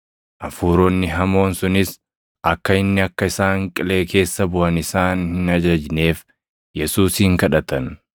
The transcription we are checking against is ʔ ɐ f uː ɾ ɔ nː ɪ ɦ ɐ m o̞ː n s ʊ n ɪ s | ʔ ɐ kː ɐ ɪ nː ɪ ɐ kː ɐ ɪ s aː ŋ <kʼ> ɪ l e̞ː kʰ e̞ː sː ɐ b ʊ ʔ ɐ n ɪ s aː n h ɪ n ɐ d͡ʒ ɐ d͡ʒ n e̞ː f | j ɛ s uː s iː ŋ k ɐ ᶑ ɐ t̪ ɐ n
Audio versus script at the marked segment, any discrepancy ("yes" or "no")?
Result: no